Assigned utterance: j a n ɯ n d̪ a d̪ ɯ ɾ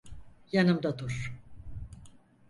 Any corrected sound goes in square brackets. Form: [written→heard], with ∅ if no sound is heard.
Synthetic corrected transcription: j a n ɯ [n→m] d̪ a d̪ [ɯ→u] ɾ